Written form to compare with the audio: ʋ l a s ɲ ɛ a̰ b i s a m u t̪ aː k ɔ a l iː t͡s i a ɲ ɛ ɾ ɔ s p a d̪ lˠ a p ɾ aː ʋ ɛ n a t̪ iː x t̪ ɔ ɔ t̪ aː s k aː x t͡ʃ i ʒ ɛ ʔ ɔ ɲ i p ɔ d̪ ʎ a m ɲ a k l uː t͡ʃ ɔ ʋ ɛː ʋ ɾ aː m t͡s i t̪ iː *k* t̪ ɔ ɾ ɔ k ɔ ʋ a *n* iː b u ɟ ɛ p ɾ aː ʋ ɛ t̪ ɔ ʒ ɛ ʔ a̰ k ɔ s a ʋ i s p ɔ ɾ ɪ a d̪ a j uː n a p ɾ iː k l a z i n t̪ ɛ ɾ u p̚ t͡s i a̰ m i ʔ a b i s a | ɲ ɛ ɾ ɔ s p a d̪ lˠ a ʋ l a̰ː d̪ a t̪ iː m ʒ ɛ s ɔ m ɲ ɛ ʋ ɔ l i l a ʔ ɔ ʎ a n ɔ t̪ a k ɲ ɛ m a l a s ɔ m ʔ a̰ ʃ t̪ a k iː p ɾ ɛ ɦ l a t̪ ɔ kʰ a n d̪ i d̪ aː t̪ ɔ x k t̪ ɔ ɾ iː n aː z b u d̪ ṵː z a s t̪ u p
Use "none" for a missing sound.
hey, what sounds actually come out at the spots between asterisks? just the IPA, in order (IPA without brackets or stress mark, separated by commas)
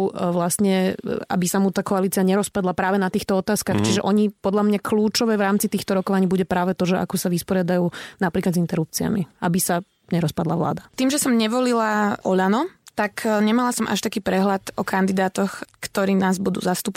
x, ɲ